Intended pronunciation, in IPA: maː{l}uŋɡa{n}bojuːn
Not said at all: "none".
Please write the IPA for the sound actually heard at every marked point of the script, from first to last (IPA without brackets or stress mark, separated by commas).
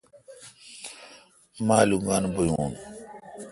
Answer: l, n